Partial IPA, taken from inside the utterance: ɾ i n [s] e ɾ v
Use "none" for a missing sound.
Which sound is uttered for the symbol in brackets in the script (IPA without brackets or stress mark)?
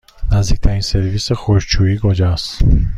s